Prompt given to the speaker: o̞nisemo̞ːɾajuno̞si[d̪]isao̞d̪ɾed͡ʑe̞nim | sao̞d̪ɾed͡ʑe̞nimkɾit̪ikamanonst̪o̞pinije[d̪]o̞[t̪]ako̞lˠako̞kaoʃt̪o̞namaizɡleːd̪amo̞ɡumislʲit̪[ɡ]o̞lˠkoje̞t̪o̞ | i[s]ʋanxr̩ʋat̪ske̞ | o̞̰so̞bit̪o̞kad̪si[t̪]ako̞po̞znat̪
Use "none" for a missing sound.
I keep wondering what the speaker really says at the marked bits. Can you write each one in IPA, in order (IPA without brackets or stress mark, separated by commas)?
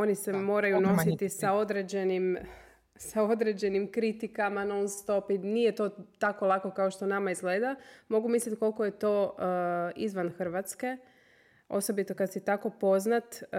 t̪, t̪, t̪, k, z, t̪